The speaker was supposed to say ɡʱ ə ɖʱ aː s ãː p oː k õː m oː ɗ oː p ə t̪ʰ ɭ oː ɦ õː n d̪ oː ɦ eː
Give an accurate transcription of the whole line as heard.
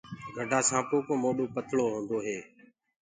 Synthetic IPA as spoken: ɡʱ ə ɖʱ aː s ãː p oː k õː m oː ɗ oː p ə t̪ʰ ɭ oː ɦ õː n d̪ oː ɦ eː